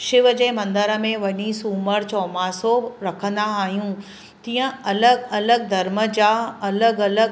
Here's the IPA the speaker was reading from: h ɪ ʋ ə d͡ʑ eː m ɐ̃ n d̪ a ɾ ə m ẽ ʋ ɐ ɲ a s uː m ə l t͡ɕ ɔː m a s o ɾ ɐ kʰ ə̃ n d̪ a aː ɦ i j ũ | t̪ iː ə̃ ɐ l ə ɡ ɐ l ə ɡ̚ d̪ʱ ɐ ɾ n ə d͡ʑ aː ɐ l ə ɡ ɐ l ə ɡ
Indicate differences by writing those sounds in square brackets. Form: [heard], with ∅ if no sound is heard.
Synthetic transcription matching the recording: [ʃ] ɪ ʋ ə d͡ʑ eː m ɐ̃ n d̪ [ə] ɾ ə m ẽ ʋ ɐ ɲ [i] s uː m ə [ɾ] t͡ɕ ɔː m a s o ɾ ɐ kʰ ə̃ n d̪ a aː ɦ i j ũ | t̪ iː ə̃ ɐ l ə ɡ ɐ l ə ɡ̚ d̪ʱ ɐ ɾ [m] ə d͡ʑ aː ɐ l ə ɡ ɐ l ə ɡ